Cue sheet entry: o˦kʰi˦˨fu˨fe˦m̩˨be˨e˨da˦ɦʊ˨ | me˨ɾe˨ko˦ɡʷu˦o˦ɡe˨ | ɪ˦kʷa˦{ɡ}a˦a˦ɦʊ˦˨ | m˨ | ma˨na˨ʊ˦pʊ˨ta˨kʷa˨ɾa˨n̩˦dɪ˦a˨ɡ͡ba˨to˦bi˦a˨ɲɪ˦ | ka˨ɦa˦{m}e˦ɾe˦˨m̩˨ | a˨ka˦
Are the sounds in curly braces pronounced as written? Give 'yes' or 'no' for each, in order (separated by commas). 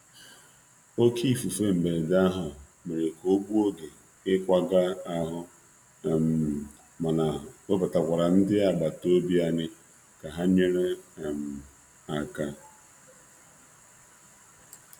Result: yes, no